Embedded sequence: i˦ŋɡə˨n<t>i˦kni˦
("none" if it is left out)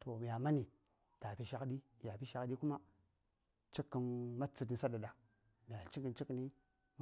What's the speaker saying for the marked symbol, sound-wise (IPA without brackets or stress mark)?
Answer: t͡ʃ